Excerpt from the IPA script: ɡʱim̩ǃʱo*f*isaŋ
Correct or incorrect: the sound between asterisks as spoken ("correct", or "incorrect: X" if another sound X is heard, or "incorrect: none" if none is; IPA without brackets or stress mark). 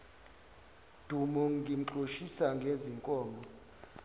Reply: incorrect: ʃ